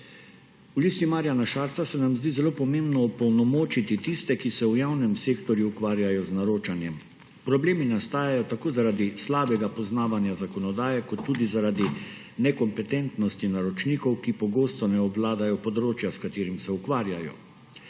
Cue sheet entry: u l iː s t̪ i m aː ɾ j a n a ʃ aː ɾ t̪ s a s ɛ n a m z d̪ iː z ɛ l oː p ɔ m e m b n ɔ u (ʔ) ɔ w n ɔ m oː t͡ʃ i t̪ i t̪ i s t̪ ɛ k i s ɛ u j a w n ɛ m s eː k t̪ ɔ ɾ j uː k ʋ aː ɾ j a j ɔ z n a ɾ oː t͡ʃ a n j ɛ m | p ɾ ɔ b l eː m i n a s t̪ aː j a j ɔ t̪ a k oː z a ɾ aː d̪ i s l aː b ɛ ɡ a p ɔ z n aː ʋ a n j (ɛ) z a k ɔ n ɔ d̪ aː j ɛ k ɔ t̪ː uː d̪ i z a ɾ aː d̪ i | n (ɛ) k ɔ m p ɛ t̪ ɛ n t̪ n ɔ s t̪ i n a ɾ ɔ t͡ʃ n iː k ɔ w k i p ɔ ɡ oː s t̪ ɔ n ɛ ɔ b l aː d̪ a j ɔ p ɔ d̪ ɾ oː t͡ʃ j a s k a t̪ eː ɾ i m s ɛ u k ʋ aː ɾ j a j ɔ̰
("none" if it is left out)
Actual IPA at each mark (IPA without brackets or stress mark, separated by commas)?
p, a, ɛ